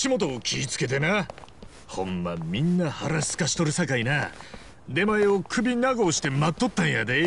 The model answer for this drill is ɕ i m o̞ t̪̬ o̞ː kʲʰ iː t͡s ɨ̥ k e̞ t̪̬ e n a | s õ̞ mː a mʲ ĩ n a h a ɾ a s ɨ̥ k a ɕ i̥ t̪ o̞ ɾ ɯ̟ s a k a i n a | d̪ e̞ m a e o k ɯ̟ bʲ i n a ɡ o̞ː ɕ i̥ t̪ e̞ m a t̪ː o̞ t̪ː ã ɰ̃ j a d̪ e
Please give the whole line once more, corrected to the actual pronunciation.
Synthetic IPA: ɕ i m o̞ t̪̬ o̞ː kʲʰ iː t͡s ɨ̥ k e̞ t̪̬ e n a | h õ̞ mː a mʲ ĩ nː a h a ɾ a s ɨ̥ k a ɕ i̥ t̪ o̞ ɾ ɯ̟ s a k a i n a | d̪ e̞ m a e o k ɯ̟ bʲ i n a ɡ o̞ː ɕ i̥ t̪ e̞ m a t̪ː o̞ t̪ː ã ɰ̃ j a d̪ e